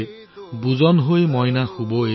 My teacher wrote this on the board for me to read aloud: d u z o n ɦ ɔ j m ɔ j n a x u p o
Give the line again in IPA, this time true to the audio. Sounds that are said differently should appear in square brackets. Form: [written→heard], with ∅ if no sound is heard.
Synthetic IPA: [d→b] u z [o→ɔ] n ɦ [ɔ→o] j m ɔ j n a x u [p→b] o